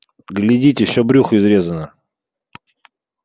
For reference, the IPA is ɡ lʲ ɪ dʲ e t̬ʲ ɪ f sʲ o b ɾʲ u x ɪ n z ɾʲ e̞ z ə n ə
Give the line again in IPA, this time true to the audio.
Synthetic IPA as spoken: ɡ lʲ ɪ dʲ i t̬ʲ ɪ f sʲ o b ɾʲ u x ɪ z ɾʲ e̞ z ə n ə